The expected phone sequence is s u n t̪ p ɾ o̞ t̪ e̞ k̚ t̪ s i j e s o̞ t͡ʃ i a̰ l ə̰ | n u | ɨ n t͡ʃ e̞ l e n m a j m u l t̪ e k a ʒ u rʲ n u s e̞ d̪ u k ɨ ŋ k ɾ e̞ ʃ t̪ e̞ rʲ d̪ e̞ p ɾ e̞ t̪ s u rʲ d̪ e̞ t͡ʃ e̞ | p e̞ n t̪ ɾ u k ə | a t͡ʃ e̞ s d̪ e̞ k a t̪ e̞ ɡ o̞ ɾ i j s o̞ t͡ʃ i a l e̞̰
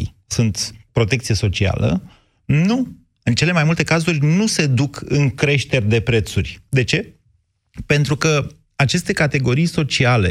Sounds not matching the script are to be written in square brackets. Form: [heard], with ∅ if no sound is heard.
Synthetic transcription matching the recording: s u n t̪ p ɾ o̞ t̪ e̞ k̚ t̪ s i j e s o̞ t͡ʃ i a̰ l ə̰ | n u | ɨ n t͡ʃ e̞ l e [∅] m a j m u l t̪ e k a [z] u rʲ n u s e̞ d̪ u k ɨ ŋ k ɾ e̞ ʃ t̪ e̞ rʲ d̪ e̞ p ɾ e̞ t̪ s u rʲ d̪ e̞ t͡ʃ e̞ | p e̞ n t̪ ɾ u k ə | a t͡ʃ e̞ s [t̪] e̞ k a t̪ e̞ ɡ o̞ ɾ i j s o̞ t͡ʃ i a l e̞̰